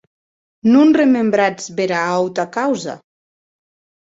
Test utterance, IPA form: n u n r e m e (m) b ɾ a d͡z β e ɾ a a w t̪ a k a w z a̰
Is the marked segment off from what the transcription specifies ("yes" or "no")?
no